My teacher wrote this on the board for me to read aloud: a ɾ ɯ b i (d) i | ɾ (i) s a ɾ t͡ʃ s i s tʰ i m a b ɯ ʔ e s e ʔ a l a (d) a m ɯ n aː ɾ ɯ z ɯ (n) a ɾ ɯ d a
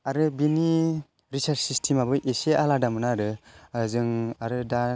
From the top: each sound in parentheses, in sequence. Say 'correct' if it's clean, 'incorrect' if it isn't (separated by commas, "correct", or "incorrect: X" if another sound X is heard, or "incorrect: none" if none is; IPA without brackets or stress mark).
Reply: incorrect: n, correct, correct, incorrect: ŋ